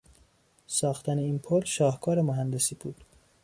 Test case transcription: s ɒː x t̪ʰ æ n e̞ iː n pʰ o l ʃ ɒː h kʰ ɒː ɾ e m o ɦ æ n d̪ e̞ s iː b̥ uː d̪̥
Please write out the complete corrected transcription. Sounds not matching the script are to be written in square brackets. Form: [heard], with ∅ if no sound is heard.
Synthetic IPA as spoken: s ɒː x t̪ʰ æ n e̞ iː n pʰ o l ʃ ɒː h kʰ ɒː ɾ e m o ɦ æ n d̪ e̞ s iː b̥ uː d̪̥

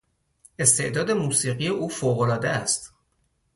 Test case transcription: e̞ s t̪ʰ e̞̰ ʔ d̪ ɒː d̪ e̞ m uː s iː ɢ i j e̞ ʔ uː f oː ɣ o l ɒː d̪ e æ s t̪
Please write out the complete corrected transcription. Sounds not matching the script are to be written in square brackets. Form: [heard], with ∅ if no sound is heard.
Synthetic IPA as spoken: e̞ s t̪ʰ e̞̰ ʔ d̪ ɒː d̪ e̞ m uː s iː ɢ i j e̞ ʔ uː f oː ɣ o l ɒː d̪ e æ s t̪

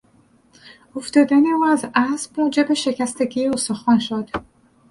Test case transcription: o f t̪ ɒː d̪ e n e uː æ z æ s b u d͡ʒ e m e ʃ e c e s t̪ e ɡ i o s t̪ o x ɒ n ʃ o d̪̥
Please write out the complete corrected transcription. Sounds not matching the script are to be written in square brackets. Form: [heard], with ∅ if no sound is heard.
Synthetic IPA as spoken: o f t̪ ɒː d̪ [æ] n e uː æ z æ s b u d͡ʒ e [b] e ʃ e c [æ] s t̪ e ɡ i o s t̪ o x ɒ n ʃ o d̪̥

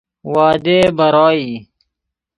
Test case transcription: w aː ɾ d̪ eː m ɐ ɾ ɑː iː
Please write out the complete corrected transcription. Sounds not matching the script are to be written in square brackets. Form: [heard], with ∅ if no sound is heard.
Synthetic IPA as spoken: w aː [∅] d̪ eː [b] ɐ ɾ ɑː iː

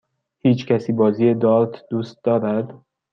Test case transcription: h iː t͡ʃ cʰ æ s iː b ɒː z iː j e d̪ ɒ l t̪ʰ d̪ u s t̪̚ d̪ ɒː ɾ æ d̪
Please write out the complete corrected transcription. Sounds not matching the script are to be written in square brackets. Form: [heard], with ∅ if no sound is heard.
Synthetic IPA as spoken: h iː t͡ʃ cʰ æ s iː b ɒː z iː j e d̪ ɒ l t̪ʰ d̪ u s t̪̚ d̪ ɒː ɾ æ d̪

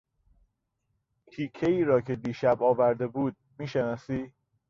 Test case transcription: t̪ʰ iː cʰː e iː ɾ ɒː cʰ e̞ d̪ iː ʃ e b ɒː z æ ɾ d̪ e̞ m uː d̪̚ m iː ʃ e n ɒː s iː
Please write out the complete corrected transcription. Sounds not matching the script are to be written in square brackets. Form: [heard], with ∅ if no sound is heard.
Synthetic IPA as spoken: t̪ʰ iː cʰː e iː ɾ ɒː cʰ e̞ d̪ iː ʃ [æ] b ɒː [v] æ ɾ d̪ e̞ [b] uː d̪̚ m iː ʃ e n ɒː s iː

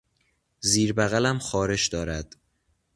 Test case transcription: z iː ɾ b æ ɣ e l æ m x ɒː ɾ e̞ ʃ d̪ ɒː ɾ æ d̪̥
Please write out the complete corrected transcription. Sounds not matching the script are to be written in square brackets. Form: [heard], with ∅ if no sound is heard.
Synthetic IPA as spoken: z iː ɾ b æ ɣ [æ] l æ m x ɒː ɾ e̞ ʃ d̪ ɒː ɾ æ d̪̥

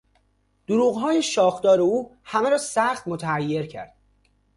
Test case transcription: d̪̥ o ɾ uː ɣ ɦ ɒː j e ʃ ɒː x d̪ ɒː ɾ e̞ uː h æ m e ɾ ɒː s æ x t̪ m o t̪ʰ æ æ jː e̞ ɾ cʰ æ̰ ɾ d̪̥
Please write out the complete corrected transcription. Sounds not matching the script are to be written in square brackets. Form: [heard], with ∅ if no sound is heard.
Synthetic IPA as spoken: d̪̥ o ɾ uː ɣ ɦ ɒː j e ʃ ɒː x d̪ ɒː ɾ e̞ uː h æ m e ɾ ɒː s æ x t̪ m o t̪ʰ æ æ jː e̞ ɾ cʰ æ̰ ɾ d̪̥

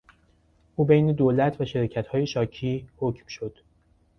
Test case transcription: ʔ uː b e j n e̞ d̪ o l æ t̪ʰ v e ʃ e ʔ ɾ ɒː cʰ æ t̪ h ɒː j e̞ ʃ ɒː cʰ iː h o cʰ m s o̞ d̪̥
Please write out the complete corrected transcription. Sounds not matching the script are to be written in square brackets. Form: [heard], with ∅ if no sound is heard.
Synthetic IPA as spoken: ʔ uː b e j n e̞ d̪ o l æ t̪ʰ v [æ] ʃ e [∅] ɾ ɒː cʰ æ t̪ h ɒː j e̞ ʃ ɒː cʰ iː h o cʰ m [ʃ] o̞ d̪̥

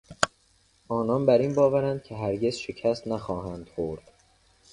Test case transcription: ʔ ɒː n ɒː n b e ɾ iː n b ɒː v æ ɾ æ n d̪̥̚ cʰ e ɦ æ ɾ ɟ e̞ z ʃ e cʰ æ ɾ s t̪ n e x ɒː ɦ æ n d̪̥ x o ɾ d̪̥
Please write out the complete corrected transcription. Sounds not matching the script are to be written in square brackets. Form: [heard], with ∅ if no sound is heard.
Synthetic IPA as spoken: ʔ ɒː n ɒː n b [æ] ɾ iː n b ɒː v æ ɾ æ n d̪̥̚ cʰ e ɦ æ ɾ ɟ e̞ z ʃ e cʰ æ [∅] s t̪ n [æ] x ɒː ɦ æ n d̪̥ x o ɾ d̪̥

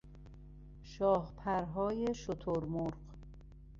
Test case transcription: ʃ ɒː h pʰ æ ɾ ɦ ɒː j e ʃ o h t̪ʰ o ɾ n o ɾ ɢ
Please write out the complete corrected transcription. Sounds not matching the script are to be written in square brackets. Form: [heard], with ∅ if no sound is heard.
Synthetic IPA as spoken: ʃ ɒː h pʰ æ ɾ ɦ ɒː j e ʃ o [∅] t̪ʰ o ɾ [m] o ɾ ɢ

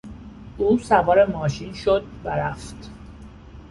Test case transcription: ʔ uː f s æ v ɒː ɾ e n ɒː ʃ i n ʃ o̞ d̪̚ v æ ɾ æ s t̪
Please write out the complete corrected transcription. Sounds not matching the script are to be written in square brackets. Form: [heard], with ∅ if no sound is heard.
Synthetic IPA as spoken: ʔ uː [∅] s æ v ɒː ɾ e [m] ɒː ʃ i n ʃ o̞ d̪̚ v æ ɾ æ [f] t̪

